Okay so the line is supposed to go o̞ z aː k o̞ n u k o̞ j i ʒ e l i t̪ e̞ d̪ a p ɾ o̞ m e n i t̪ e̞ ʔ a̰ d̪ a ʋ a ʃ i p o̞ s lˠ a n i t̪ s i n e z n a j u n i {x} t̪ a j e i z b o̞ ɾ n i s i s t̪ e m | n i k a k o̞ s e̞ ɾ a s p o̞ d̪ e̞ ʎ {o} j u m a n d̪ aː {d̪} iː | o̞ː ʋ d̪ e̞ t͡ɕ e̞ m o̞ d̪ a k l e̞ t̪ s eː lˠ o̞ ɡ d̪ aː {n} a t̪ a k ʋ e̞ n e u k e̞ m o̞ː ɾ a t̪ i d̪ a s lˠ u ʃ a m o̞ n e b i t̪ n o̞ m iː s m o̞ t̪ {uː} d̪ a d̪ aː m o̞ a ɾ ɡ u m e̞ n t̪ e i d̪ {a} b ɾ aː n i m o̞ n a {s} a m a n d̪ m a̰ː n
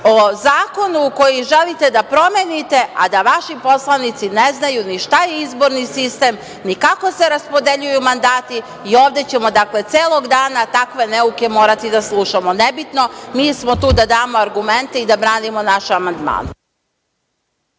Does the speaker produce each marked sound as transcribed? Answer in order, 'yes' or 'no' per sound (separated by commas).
no, no, no, yes, yes, yes, no